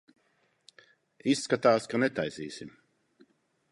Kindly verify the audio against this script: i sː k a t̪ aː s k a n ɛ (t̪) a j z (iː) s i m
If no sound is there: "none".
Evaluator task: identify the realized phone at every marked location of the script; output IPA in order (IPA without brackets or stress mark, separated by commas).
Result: t̪, iː